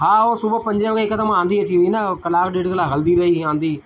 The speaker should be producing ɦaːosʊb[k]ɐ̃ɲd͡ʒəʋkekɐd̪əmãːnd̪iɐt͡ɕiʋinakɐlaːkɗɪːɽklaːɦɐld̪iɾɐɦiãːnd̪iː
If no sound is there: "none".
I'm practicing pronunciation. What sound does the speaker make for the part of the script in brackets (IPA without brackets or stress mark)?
p